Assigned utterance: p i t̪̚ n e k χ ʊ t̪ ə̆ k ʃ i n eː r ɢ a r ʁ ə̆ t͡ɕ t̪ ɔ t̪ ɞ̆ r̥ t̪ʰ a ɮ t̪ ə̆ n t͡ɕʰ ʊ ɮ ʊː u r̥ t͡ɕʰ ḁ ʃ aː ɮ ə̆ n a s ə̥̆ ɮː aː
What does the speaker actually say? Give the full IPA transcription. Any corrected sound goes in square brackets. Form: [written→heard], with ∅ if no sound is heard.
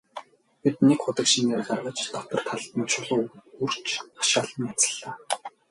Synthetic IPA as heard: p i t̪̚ n e k χ ʊ t̪ ə̆ k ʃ i n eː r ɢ a r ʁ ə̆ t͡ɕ t̪ ɔ t̪ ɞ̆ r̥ t̪ʰ a ɮ t̪ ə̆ n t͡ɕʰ ʊ ɮ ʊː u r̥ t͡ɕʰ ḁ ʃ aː ɮ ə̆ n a [s→t͡s] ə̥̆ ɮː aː